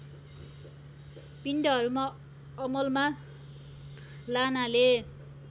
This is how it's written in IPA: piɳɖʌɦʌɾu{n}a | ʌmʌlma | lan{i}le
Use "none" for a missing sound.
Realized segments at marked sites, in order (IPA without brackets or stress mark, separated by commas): m, a